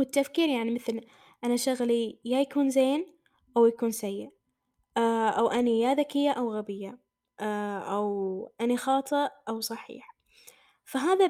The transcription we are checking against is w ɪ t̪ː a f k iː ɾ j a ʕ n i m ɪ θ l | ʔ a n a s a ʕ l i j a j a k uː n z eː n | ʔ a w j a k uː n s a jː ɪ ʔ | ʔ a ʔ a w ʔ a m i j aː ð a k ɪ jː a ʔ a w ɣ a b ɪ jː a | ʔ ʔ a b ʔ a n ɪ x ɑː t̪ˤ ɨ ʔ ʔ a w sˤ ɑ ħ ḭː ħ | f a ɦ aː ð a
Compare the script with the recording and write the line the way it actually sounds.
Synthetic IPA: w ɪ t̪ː a f k iː ɾ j a ʕ n i m ɪ θ l | ʔ a n a ʃ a ɣ l i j a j a k uː n z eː n | ʔ a w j a k uː n s a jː ɪ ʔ | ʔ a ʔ a w ʔ a n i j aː ð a k ɪ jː a ʔ a w ɣ a b ɪ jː a | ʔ ʔ a w ʔ a n i x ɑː t̪ˤ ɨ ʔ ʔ a w sˤ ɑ ħ ḭː ħ | f a ɦ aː ð a